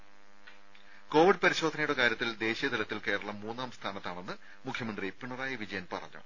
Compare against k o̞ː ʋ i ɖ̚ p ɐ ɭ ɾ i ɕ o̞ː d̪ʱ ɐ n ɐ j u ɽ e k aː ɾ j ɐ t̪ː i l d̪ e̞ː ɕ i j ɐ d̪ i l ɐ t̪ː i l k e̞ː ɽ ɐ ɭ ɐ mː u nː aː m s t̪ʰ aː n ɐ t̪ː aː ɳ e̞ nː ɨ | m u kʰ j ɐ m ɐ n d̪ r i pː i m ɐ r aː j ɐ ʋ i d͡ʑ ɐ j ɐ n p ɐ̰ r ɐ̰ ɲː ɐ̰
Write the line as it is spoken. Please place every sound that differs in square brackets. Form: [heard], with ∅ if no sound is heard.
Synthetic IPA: k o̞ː ʋ i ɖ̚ p ɐ [∅] ɾ i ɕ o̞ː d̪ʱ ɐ n ɐ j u ɽ e k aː ɾ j ɐ t̪ː i l d̪ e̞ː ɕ i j ɐ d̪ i l ɐ t̪ː i l k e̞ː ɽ ɐ ɭ ɐ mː [uː] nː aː m s t̪ʰ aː n ɐ t̪ː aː ɳ e̞ nː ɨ | m u kʰ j ɐ m ɐ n d̪ r i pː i [ɳ] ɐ r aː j ɐ ʋ i d͡ʑ ɐ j ɐ n p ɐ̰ r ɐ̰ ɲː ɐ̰